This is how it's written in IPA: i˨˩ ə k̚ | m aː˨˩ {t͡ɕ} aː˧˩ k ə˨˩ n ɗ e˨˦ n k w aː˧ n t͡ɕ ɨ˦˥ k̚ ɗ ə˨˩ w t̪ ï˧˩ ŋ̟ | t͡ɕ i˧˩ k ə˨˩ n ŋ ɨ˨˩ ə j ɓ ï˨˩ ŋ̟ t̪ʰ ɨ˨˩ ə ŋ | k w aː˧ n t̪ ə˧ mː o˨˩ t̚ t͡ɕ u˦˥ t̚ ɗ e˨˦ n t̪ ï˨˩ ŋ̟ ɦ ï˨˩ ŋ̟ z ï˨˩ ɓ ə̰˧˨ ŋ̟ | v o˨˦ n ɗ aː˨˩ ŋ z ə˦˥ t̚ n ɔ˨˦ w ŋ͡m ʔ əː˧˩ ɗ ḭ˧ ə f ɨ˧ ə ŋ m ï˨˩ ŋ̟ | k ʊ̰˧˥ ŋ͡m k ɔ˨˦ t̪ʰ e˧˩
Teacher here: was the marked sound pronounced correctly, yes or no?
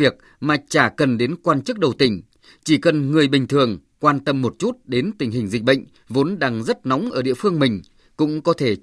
yes